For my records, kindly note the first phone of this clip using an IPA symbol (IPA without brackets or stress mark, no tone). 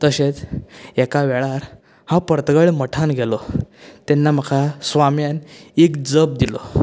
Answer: t̪